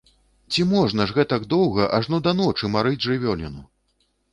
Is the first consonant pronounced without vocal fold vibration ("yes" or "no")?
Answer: yes